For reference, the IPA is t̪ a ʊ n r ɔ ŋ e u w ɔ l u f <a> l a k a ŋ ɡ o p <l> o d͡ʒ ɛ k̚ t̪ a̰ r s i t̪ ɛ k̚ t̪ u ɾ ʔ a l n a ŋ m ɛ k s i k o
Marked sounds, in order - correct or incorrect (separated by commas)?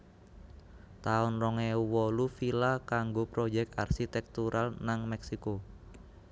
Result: incorrect, incorrect